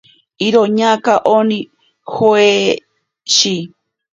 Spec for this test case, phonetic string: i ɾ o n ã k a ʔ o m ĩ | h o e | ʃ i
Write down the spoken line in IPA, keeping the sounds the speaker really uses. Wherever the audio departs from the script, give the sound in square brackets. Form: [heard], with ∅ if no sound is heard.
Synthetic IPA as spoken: i ɾ o [ɲ] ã k a ʔ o [n] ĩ | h o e | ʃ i